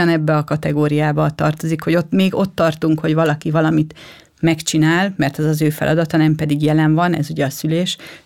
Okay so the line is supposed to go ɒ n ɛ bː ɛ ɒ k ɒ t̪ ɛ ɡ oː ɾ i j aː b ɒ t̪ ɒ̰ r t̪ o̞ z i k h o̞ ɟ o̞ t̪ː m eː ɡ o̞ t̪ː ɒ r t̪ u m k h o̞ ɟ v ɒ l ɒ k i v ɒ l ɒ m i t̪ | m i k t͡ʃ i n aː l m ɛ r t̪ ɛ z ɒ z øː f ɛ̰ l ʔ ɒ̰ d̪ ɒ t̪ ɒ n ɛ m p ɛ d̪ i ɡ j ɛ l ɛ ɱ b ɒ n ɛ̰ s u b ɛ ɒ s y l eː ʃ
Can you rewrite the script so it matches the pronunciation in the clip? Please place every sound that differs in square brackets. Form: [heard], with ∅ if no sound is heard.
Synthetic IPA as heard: ɒ n ɛ bː ɛ ɒ k ɒ t̪ ɛ ɡ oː ɾ i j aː b ɒ t̪ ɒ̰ r t̪ o̞ z i k h o̞ ɟ o̞ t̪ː m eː ɡ o̞ t̪ː ɒ r t̪ u [ŋ] k h o̞ ɟ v ɒ l ɒ k i v ɒ l ɒ m i t̪ | m [ɛ] k t͡ʃ i n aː l m ɛ r t̪ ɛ z ɒ z øː f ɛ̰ l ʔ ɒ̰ d̪ ɒ t̪ ɒ n ɛ m p ɛ d̪ i ɡ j ɛ l ɛ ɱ [v] ɒ n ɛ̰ [z] u [ɟ] ɛ ɒ s y l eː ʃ